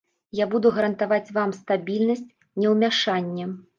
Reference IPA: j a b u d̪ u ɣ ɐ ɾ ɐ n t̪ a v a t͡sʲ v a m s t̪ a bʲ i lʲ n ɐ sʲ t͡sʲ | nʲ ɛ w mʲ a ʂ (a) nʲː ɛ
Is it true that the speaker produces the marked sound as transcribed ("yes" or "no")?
yes